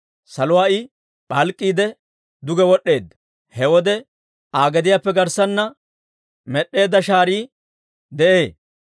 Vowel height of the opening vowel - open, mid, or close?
open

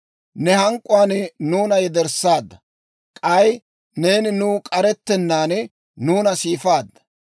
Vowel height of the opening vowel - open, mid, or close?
mid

